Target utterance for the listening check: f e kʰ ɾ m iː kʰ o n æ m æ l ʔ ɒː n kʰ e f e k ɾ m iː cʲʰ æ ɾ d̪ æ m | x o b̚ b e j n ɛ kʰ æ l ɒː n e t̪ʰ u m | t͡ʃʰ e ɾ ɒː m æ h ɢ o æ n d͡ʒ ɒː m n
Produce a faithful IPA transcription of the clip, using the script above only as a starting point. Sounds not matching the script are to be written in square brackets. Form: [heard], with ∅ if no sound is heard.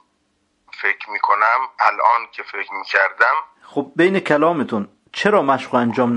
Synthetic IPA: f e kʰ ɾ m iː kʰ o n æ m æ l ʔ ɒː n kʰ e f e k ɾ m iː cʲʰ æ ɾ d̪ æ m | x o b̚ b e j n [e] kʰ æ l ɒː [m] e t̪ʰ u [n] | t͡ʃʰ e ɾ ɒː m æ [ʃ] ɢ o æ n d͡ʒ ɒː m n